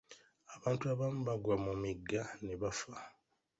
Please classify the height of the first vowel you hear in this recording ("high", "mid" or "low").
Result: low